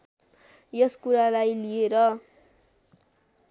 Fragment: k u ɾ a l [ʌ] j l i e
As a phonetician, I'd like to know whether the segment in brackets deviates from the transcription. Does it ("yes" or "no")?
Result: yes